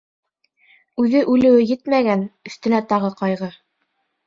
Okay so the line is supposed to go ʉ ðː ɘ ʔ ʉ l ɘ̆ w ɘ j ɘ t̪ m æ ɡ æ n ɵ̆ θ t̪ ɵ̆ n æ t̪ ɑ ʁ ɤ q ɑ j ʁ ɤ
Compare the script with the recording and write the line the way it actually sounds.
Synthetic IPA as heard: ʉ ð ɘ ʔ ʉ l ɘ̆ w ɘ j ɘ t̪ m æ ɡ æ n ɵ̆ θ t̪ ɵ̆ n æ t̪ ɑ ʁ ɤ q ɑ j ʁ ɤ